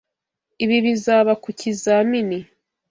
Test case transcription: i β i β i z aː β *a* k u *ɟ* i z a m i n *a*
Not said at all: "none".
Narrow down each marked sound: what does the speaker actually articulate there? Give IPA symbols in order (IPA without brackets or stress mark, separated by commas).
a, c, i